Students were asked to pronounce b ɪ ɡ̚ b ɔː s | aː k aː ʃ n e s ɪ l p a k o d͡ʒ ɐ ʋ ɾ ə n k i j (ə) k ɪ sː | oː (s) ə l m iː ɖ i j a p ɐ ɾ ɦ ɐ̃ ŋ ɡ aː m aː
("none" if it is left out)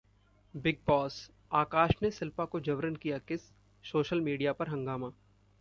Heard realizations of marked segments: a, ʃ

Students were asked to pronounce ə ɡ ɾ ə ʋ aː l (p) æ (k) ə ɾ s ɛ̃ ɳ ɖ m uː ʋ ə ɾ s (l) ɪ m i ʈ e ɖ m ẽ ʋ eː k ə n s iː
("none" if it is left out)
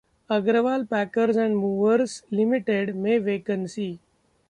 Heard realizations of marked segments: p, k, l

